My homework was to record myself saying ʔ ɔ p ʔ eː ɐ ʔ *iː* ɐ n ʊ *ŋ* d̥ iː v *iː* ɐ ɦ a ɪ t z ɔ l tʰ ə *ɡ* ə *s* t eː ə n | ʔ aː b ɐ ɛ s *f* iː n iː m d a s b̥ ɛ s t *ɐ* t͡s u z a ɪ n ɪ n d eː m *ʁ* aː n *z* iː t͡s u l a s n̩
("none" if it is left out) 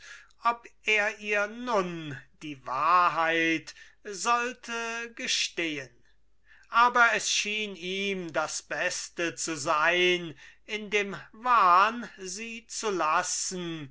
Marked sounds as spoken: iː, n, aː, ɡ, ʃ, ʃ, ə, v, z

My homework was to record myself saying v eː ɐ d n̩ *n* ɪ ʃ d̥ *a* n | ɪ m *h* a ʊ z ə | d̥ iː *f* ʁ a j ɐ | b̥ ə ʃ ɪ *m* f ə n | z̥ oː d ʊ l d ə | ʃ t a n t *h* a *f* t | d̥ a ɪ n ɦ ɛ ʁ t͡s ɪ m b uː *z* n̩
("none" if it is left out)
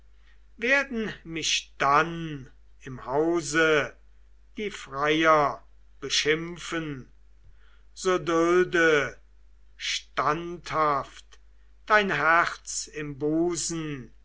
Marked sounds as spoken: m, a, h, f, m, h, f, z

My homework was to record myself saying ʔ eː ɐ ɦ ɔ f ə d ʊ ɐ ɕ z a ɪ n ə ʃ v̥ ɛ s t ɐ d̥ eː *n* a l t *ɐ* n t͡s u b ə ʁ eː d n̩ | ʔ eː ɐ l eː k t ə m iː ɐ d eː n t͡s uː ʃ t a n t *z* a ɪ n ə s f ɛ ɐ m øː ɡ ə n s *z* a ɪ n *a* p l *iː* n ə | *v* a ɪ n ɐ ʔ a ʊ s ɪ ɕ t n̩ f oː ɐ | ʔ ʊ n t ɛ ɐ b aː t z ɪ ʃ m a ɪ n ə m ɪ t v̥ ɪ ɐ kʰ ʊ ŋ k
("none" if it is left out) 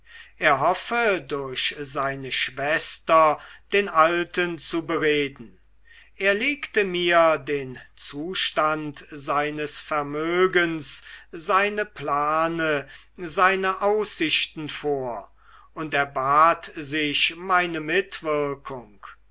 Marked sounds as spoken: n, ə, z, z, ə, aː, z

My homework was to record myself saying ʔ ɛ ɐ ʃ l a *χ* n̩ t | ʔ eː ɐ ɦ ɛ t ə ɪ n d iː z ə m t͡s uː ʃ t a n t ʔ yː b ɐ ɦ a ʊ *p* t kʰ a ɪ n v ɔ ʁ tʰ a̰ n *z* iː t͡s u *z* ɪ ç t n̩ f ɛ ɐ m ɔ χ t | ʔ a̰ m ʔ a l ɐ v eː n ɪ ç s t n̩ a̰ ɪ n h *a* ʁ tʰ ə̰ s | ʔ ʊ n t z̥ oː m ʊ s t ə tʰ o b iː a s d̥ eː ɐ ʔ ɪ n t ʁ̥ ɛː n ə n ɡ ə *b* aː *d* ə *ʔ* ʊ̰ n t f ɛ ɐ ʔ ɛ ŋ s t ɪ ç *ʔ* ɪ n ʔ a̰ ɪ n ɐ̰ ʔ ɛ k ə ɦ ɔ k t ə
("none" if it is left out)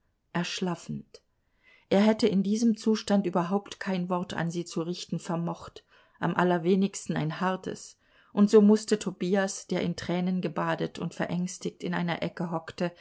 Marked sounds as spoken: f, p, z, ʁ, a, b, d, t, t

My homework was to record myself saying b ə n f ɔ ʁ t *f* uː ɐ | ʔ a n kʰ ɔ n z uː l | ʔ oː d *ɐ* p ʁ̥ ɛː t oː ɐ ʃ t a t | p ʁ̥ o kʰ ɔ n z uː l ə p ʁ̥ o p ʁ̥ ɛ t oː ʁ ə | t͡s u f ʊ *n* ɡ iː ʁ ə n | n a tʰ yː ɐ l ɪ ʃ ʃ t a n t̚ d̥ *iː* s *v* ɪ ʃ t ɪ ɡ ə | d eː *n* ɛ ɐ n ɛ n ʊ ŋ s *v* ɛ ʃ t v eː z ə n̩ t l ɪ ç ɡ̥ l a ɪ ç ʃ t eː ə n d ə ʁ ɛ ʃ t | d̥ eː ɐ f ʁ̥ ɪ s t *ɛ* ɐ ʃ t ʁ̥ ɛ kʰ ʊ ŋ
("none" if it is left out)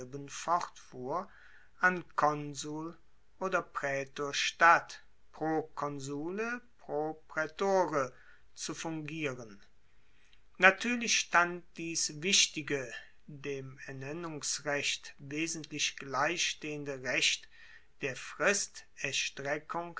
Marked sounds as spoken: f, ɐ, ŋ, iː, v, m, ʁ, ɛ

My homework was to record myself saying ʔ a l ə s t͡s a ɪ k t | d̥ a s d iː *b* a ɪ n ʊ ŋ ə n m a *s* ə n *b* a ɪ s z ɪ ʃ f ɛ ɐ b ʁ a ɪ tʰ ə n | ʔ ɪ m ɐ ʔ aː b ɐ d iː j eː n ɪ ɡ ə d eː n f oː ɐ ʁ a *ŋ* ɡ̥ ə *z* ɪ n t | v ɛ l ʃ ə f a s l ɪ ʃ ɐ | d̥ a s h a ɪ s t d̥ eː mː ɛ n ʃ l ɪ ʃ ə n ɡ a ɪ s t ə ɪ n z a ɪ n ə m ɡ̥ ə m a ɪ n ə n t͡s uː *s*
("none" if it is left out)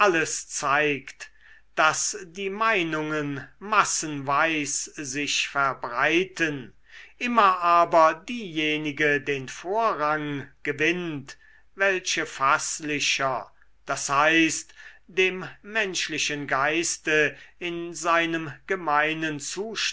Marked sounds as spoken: m, s, v, ŋ, v, ʃ

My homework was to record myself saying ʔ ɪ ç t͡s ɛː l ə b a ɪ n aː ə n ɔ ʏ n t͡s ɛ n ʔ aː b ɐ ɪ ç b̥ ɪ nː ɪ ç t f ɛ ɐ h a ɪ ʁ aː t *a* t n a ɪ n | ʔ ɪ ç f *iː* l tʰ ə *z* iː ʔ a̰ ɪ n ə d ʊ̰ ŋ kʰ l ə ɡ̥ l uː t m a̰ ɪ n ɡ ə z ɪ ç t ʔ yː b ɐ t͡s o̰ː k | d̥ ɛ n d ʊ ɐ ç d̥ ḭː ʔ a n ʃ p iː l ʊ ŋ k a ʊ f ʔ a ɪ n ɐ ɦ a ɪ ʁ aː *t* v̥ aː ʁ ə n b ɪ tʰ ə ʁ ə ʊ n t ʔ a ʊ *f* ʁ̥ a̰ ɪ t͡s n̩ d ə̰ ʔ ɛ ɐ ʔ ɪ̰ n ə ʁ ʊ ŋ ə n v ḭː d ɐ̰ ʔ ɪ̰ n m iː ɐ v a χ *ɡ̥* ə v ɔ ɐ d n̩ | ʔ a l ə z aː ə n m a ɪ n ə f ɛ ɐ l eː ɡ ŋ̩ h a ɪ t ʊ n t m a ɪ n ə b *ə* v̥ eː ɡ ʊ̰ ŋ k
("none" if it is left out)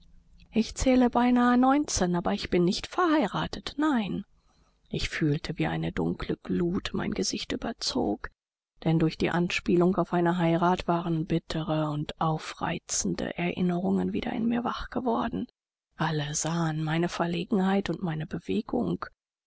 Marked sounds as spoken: ə, yː, v, t, f, ɡ̥, ə

